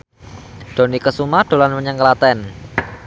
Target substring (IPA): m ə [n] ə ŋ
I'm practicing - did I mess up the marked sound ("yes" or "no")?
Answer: yes